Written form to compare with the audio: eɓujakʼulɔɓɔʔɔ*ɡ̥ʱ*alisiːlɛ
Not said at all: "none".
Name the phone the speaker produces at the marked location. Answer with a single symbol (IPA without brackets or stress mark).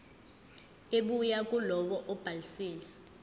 b̥ʱ